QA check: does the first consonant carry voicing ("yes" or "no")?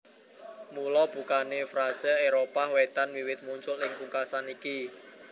yes